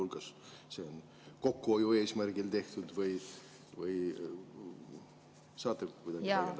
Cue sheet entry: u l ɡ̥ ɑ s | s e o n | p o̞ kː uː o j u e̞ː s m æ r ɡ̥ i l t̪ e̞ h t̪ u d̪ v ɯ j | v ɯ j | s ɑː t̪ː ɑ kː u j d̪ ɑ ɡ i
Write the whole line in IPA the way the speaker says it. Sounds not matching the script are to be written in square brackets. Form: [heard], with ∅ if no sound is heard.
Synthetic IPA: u l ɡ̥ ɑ s | s e o n | [k] o̞ kː [u] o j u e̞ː s m æ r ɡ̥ i l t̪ e̞ h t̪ u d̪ v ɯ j | v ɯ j | s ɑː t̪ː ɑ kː u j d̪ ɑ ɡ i

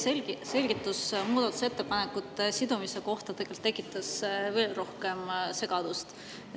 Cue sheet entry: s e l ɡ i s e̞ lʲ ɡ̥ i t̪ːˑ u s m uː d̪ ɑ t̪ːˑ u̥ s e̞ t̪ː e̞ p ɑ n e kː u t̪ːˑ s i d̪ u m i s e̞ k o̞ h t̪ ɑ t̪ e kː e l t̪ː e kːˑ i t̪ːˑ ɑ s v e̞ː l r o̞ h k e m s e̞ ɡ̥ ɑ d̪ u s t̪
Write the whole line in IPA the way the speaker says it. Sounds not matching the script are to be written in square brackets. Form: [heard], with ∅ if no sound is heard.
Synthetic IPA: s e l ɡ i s e̞ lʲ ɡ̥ i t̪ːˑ u s m uː d̪ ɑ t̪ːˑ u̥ s e̞ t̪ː e̞ p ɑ n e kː u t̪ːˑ s i d̪ u m i s e̞ k o̞ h t̪ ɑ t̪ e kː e l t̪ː e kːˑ i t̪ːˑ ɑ s v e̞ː l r o̞ h k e m s e̞ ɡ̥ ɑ d̪ u s t̪

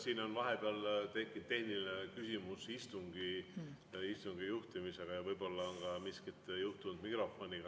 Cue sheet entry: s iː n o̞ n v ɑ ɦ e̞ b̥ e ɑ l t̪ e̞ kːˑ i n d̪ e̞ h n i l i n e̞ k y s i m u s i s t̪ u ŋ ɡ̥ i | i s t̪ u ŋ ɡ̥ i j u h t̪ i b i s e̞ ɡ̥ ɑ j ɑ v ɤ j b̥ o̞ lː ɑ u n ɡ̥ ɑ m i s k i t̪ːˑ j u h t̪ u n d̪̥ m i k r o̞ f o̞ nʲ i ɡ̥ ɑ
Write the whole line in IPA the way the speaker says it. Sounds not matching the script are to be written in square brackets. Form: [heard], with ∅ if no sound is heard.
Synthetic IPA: s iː n o̞ n v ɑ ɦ e̞ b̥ e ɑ l t̪ e̞ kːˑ i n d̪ e̞ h n i l i n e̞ k y s i m u s i s t̪ u ŋ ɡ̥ i | i s t̪ u ŋ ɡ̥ i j u h t̪ i [m] i s e̞ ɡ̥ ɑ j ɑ v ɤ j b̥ o̞ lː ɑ [o] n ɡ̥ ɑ m i s k i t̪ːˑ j u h t̪ u n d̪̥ m i k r o̞ f o̞ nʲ i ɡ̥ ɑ

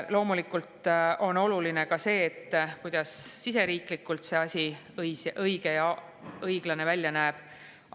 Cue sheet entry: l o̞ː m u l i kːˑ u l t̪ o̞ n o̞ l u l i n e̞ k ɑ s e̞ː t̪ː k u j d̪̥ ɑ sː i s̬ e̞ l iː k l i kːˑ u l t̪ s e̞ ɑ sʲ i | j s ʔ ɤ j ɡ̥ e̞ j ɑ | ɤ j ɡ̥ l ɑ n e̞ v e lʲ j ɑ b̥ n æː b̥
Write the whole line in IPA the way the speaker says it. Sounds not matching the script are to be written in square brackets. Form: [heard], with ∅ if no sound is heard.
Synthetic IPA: l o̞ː m u l i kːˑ u l t̪ o̞ n o̞ l u l i n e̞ k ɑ s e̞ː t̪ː k u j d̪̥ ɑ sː i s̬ e̞ [ɾ] iː k l i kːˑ u l t̪ s e̞ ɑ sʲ i | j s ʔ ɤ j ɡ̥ e̞ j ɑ | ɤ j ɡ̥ l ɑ n e̞ v [æ] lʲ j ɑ [∅] n æː b̥

